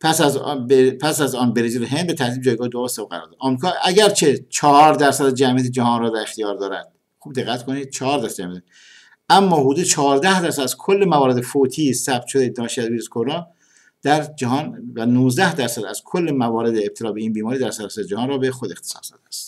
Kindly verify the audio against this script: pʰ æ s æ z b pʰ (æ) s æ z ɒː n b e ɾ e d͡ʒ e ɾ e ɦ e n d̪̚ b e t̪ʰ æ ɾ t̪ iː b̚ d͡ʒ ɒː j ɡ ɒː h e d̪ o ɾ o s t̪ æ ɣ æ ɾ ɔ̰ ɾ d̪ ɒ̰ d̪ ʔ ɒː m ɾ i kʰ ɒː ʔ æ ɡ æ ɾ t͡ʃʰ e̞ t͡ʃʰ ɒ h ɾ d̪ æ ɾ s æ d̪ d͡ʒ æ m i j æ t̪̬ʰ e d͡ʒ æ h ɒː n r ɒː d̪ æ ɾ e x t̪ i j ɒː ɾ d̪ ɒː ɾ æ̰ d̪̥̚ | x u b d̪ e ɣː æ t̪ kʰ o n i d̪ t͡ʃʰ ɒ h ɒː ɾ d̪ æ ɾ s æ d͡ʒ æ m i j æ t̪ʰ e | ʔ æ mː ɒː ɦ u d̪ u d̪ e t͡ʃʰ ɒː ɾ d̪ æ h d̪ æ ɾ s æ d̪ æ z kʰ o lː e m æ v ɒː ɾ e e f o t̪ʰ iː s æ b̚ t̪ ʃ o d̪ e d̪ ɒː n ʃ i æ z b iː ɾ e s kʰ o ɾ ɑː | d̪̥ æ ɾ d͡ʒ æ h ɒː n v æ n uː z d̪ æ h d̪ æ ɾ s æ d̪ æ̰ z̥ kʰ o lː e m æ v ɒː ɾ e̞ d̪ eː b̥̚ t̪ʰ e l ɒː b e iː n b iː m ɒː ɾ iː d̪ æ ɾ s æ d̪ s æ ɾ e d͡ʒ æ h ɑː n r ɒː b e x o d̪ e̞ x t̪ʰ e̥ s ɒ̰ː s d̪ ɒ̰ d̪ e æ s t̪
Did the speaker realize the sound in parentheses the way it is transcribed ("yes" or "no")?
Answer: yes